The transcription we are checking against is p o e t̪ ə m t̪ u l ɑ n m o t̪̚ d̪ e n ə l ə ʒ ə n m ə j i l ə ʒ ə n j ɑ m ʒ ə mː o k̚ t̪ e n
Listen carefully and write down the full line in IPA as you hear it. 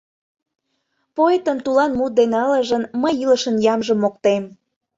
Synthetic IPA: p o e t̪ ə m t̪ u l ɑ n m u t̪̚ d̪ e n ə l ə ʒ ə n m ə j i l ə ʃ ə n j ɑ m ʒ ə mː o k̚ t̪ e m